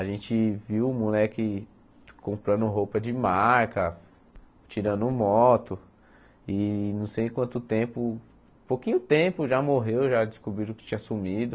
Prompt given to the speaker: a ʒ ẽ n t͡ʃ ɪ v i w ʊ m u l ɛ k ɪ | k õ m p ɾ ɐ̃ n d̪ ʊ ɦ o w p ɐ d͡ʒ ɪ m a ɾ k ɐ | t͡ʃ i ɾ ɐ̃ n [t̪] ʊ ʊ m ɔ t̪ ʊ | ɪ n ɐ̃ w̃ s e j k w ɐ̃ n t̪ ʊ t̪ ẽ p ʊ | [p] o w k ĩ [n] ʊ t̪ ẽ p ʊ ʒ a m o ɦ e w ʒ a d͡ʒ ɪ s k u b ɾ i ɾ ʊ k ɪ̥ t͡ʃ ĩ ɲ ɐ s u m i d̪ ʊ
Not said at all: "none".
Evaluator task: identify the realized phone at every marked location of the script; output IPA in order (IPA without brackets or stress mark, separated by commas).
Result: d̪, p, ɲ